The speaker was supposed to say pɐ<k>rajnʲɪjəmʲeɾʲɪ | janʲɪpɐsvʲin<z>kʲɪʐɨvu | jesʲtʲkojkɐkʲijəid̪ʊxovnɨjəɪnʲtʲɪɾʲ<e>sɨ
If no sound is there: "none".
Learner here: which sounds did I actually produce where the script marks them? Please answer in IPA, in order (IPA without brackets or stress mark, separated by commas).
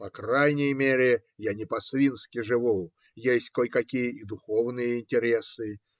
k, s, e